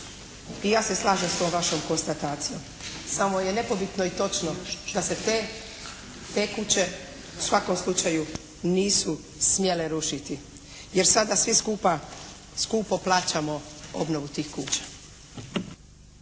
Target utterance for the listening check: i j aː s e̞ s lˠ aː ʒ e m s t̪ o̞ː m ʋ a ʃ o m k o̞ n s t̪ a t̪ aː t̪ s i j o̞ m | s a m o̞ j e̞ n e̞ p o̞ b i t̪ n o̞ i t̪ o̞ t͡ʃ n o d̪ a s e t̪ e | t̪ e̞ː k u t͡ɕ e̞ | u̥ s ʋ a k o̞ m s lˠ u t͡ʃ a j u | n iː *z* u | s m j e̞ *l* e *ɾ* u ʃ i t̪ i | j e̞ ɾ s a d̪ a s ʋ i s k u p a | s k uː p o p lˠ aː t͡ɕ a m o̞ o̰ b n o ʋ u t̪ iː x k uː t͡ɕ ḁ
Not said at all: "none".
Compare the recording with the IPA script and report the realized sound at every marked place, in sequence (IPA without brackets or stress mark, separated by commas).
s, l, ɾ